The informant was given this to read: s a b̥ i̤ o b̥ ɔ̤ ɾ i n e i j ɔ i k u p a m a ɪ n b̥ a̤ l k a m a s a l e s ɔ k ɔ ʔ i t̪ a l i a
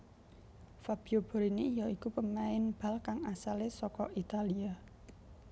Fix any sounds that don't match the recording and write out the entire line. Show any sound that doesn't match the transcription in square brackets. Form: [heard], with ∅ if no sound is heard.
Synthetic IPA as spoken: [f] a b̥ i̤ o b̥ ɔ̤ ɾ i n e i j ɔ i k u p [ə] m a ɪ n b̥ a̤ l k a [ŋ] a s a l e s ɔ k ɔ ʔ i t̪ a l i a